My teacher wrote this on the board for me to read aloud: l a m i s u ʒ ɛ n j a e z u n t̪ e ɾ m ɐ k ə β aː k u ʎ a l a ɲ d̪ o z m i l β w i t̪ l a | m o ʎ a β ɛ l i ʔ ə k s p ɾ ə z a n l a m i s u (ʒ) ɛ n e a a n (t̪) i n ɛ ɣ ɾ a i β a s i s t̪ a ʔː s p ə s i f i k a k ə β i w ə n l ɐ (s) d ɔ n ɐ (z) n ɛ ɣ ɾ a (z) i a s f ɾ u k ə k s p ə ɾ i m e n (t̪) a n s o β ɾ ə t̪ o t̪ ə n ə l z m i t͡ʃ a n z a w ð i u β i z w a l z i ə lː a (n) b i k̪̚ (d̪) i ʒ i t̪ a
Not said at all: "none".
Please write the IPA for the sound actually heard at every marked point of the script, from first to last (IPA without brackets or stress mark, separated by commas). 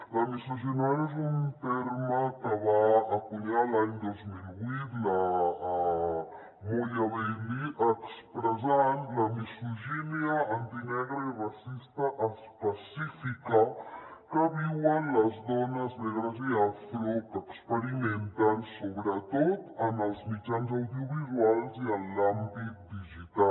ʒ, t̪, z, z, z, t̪, m, d̪